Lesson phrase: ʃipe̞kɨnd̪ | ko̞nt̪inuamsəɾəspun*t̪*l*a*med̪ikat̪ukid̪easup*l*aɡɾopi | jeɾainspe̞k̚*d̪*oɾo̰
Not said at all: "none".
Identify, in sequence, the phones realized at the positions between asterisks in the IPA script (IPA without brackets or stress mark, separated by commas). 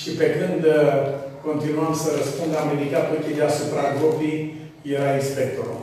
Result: d̪, a, ɾ, t̪